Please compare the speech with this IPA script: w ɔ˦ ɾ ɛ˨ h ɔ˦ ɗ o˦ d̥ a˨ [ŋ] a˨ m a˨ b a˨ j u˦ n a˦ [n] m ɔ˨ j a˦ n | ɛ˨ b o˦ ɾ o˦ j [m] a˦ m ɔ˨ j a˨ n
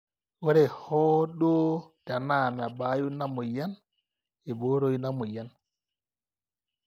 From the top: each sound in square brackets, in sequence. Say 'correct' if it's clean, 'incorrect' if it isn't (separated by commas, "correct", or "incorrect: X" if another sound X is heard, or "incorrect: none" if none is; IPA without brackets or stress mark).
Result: incorrect: n, incorrect: none, incorrect: n